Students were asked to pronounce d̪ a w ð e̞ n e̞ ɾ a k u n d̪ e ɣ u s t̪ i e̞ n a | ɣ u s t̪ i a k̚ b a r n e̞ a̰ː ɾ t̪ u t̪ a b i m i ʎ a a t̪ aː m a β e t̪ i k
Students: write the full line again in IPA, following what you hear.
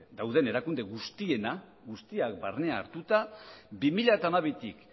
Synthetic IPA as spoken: d̪ a w ð e̞ n e̞ ɾ a k u n d̪ e ɣ u s t̪ i e̞ n a | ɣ u s t̪ i a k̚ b a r n e̞ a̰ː ɾ t̪ u t̪ a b i m i ʎ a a t̪ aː m a β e t̪ i k

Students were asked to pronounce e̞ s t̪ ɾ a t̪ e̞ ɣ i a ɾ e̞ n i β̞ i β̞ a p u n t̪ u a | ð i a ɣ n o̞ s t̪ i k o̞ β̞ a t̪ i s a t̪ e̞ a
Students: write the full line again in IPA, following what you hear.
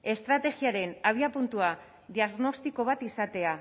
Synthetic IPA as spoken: e̞ s t̪ ɾ a t̪ e̞ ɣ i a ɾ e̞ n a β̞ i a p u n t̪ u a | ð i a ɣ n o̞ s t̪ i k o̞ β̞ a t̪ i s a t̪ e̞ a

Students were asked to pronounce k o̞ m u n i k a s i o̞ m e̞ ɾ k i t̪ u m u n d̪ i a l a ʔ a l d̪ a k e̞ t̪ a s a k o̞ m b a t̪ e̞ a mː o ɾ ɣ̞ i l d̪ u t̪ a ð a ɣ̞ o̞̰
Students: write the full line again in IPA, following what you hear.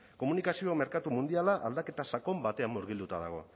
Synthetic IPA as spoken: k o̞ m u n i k a s i o̞ m e̞ ɾ k a t̪ u m u n d̪ i a l a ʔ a l d̪ a k e̞ t̪ a s a k o̞ m b a t̪ e̞ a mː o ɾ ɣ̞ i l d̪ u t̪ a ð a ɣ̞ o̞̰

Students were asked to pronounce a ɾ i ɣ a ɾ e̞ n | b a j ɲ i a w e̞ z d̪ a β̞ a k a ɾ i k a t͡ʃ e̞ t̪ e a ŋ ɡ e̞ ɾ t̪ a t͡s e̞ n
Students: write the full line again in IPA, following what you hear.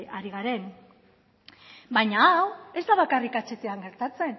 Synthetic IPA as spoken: a ɾ i ɣ a ɾ e̞ n | b a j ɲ a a w e̞ z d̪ a β̞ a k a r i k a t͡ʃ e̞ t̪ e a ŋ ɡ e̞ ɾ t̪ a t͡s e̞ n

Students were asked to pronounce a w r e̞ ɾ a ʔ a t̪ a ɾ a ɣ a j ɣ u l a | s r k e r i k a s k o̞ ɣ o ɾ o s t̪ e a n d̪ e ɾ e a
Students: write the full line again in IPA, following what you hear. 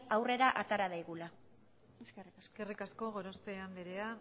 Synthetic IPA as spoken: a w r e̞ ɾ a ʔ a t̪ a ɾ a ð a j ɣ u l a | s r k e r i k a s k o̞ ɣ o ɾ o s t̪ e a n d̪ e ɾ e a

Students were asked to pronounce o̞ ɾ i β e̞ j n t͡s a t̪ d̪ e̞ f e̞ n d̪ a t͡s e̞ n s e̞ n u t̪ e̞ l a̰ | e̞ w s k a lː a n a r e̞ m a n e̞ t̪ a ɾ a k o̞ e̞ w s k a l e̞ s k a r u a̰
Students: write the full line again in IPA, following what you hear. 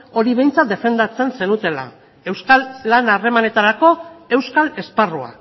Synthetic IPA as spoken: o̞ ɾ i β e̞ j n t͡s a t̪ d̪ e̞ f e̞ n d̪ a t͡s e̞ n s e̞ n u t̪ e̞ l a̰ | e̞ w s k a lː a n a r e̞ m a n e̞ t̪ a ɾ a k o̞ e̞ w s k a l e̞ s p a r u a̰

